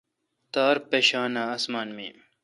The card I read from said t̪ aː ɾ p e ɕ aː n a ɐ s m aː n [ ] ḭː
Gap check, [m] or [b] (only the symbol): m